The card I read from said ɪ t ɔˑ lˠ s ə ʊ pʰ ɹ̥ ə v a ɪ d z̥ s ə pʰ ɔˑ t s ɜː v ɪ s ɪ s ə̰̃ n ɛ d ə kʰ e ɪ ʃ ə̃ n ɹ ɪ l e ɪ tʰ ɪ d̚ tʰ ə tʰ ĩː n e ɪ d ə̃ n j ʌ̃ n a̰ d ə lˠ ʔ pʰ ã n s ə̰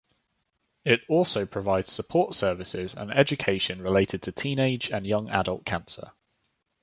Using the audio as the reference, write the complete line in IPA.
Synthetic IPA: ɪ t ɔˑ lˠ s ə ʊ pʰ ɹ̥ ə v a ɪ d z̥ s ə pʰ ɔˑ t s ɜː v ɪ s ɪ z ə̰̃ n ɛ d͡ʒ ə kʰ e ɪ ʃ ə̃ n ɹ ɪ l e ɪ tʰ ɪ d̚ tʰ ə tʰ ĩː n e ɪ d͡ʒ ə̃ n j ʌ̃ ŋ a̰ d ə lˠ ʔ kʰ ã n s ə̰